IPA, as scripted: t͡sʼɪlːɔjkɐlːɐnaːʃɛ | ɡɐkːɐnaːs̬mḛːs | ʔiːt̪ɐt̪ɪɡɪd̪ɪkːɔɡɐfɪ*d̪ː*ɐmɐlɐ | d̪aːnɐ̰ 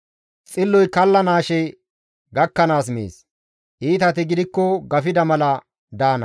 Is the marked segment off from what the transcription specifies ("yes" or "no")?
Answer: yes